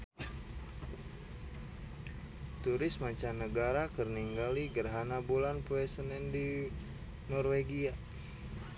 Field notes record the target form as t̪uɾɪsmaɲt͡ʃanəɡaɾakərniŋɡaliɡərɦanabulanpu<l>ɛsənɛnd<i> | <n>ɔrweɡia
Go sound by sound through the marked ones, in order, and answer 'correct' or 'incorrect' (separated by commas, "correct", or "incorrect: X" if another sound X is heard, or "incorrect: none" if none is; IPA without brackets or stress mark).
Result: incorrect: none, correct, correct